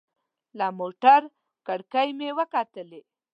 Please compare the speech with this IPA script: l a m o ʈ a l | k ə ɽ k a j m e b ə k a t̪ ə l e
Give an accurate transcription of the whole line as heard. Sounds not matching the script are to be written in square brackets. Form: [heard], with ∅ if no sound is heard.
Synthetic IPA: l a m o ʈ a [ɾ] | k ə ɽ k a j m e [w] ə k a t̪ ə l e